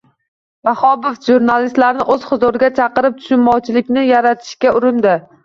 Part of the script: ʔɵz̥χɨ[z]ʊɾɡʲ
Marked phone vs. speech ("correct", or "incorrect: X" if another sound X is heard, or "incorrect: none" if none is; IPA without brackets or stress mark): correct